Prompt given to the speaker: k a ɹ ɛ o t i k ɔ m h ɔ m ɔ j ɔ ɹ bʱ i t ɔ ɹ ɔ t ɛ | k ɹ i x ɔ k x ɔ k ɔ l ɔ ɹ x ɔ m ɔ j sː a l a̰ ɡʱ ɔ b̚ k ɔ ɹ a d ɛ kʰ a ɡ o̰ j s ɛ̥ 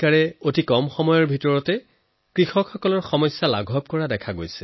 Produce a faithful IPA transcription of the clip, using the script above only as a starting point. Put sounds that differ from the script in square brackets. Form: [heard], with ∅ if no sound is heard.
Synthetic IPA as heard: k a ɹ ɛ o t i k ɔ m [x] ɔ m ɔ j ɔ ɹ bʱ i t ɔ ɹ ɔ t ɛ | k ɹ i x ɔ k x ɔ k ɔ l ɔ ɹ x ɔ m ɔ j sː a l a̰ ɡʱ ɔ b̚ k ɔ ɹ a d ɛ kʰ a ɡ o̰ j s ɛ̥